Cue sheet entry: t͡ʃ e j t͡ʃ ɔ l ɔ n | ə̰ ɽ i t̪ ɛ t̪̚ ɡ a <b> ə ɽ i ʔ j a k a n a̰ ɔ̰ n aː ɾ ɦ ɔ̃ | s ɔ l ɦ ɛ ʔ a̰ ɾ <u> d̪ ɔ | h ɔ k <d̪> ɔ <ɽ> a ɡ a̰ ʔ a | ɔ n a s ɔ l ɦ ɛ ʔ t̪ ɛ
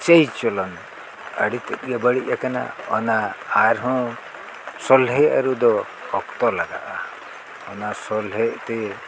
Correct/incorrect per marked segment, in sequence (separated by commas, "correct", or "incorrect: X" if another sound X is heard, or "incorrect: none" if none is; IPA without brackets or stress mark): correct, correct, incorrect: t̪, incorrect: l